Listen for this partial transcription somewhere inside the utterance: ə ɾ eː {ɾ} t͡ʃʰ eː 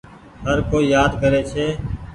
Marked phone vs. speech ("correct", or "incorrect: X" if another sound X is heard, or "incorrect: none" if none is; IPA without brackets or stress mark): incorrect: none